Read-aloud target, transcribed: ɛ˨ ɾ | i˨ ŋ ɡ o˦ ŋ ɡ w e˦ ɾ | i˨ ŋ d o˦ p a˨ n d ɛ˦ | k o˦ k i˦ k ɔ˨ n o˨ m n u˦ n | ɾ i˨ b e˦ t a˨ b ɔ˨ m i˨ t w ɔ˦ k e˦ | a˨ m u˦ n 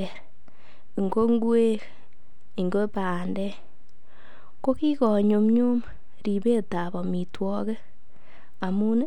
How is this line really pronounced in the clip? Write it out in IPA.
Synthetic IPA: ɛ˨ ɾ | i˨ ŋ ɡ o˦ ŋ ɡ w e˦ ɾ | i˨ ŋ ɡ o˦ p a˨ n d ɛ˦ | k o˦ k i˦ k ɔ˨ ɲ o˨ m ɲ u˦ m | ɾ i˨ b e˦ t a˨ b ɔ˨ m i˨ t w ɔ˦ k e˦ | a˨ m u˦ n